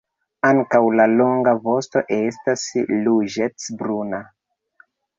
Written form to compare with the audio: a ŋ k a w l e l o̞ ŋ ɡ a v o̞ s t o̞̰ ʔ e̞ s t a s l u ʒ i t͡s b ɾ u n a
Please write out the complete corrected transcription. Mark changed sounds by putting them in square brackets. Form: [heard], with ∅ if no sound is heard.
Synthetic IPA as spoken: a ŋ k a w l [a] l o̞ ŋ ɡ a v o̞ s t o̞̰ ʔ e̞ s t a s l u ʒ [e] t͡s b ɾ u n a